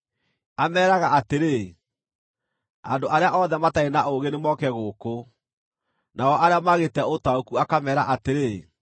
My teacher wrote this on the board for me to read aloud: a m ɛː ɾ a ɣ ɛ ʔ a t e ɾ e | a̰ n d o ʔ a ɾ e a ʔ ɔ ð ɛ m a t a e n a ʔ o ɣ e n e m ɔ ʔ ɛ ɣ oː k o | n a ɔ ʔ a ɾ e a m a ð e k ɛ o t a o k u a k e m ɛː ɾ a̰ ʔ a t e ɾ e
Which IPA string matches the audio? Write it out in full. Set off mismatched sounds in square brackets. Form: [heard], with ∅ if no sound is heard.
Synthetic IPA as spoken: a m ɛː ɾ a ɣ [a] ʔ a t e ɾ e | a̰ n d o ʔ a ɾ e a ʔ ɔ ð ɛ m a t a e n a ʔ o ɣ e n e m ɔ [k] ɛ ɣ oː k o | n a ɔ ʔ a ɾ e a m a [ɣ] e [t] ɛ o t a o k u a k [a] m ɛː ɾ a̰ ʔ a t e ɾ e